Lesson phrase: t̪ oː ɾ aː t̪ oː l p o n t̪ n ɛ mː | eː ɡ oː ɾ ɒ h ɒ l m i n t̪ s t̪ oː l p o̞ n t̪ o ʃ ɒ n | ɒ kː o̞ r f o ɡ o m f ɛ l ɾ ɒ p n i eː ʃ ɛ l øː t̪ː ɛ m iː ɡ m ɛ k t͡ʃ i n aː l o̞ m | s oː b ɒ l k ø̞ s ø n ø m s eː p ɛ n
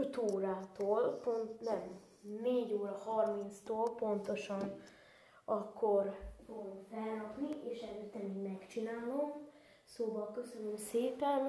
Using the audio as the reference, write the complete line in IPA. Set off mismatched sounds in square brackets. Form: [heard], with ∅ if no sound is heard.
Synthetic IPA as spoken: t̪ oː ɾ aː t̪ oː l p o n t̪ n ɛ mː | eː [ɟ] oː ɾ ɒ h ɒ [r] m i n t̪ s t̪ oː l p o̞ n t̪ o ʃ ɒ n | ɒ kː o̞ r f o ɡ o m f ɛ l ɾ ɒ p n i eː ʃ ɛ l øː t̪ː ɛ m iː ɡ m ɛ k t͡ʃ i n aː l o̞ m | s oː b ɒ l k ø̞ s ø n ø m s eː p ɛ n